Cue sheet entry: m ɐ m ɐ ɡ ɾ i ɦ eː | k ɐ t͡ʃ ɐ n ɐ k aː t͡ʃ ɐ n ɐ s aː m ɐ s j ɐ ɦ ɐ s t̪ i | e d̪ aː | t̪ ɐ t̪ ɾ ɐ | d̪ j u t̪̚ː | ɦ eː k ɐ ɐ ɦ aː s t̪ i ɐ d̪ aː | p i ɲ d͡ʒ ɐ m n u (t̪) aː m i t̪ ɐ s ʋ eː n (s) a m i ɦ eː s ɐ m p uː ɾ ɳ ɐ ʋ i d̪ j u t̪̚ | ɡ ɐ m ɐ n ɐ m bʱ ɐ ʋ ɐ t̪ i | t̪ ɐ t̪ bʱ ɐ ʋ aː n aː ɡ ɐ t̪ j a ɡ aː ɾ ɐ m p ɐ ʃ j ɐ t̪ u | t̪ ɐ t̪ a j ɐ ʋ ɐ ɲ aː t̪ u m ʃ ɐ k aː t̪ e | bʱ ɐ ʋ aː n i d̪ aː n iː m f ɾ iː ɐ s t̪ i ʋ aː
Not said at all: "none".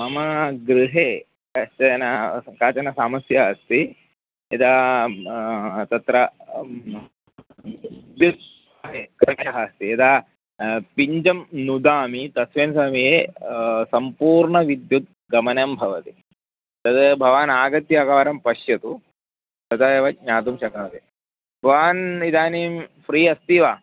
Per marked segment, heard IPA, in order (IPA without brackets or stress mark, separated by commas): d̪, s